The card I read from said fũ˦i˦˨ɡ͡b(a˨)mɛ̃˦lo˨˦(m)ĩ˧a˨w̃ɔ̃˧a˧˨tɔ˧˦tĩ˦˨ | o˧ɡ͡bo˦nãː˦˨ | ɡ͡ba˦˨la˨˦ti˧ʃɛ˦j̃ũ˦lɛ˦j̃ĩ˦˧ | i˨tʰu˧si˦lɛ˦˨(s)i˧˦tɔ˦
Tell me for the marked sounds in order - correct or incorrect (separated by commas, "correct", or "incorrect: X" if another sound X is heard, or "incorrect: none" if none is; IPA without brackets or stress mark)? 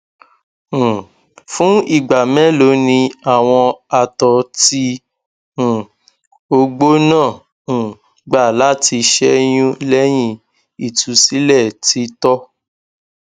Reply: correct, incorrect: n, incorrect: t